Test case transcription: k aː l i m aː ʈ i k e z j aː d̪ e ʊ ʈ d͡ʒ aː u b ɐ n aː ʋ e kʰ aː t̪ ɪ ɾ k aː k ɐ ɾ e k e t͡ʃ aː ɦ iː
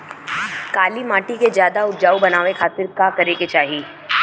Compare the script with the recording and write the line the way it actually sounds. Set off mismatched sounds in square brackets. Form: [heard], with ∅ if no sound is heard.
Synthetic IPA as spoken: k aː l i m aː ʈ i k e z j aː d̪ [a] ʊ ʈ d͡ʒ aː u b ɐ n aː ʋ e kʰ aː t̪ ɪ ɾ k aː k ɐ ɾ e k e t͡ʃ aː ɦ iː